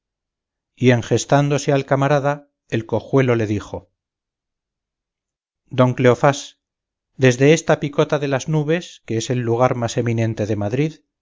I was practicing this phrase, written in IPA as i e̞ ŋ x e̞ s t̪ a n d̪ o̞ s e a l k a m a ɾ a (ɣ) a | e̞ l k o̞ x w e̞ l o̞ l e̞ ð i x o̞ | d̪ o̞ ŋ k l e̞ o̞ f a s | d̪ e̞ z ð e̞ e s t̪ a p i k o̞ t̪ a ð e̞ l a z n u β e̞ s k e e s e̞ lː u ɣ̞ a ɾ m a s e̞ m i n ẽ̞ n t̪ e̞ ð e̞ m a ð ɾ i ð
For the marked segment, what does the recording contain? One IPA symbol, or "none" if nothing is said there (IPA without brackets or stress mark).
ð